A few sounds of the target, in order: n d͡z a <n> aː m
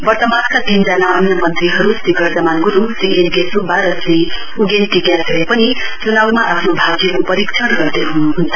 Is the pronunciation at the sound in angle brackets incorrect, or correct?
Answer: correct